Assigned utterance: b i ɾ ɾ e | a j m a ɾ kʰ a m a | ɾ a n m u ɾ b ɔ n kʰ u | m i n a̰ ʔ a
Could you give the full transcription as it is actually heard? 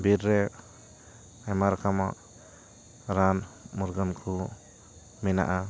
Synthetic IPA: b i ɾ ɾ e | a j m a ɾ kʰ a m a | ɾ a n m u ɾ ɡ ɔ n kʰ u | m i n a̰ ʔ a